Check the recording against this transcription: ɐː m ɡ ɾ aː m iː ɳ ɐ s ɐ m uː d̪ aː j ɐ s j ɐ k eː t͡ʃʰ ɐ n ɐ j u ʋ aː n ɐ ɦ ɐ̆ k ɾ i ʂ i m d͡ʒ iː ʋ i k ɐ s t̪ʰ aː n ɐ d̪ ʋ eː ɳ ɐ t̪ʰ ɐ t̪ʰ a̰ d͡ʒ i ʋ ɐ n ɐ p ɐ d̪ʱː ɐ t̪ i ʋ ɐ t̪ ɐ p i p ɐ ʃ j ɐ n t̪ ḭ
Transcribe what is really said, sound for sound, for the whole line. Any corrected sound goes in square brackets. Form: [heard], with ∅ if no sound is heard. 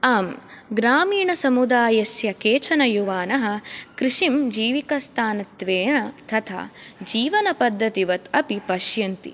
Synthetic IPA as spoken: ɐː m ɡ ɾ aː m iː ɳ ɐ s ɐ m [u] d̪ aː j ɐ s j ɐ k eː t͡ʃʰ ɐ n ɐ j u ʋ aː n ɐ ɦ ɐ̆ k ɾ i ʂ i m d͡ʒ iː ʋ i k ɐ s t̪ʰ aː n ɐ [t̪] ʋ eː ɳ ɐ t̪ʰ ɐ t̪ʰ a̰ d͡ʒ [iː] ʋ ɐ n ɐ p ɐ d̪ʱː ɐ t̪ i ʋ ɐ t̪ ɐ p i p ɐ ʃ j ɐ n t̪ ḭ